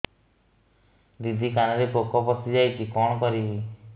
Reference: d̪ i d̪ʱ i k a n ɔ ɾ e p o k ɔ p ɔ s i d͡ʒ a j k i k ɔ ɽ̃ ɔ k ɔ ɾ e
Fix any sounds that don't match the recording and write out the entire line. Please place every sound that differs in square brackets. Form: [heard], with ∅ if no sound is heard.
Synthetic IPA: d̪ i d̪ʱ i k a n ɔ ɾ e p o k ɔ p ɔ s i d͡ʒ a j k i k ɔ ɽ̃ ɔ k ɔ ɾ [i]